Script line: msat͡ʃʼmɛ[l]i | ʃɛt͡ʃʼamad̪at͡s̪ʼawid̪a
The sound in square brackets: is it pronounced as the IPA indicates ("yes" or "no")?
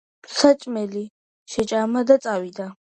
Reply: yes